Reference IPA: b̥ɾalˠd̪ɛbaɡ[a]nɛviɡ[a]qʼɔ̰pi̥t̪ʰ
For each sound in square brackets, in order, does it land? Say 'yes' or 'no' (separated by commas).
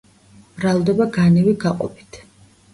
yes, yes